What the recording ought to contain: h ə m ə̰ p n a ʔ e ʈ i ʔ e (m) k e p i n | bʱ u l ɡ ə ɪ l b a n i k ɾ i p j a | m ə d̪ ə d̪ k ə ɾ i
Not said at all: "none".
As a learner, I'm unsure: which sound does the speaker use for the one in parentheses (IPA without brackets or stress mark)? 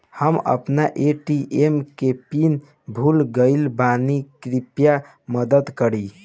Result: m